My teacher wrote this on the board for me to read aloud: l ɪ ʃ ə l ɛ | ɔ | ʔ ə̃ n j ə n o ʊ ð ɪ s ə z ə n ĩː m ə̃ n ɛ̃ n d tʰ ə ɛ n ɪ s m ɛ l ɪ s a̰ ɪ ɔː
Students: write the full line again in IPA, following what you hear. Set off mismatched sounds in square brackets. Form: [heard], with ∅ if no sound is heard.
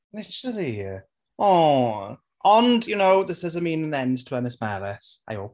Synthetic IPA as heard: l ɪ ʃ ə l [i] | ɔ | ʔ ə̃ n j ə n o ʊ ð ɪ s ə z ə [m] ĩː [n] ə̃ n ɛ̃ n d tʰ ə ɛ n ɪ s m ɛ l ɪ s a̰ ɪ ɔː